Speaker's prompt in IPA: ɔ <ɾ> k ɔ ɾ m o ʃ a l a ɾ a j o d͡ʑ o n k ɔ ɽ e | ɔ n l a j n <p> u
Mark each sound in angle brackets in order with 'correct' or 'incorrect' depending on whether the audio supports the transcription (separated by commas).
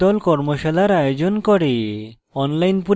incorrect, correct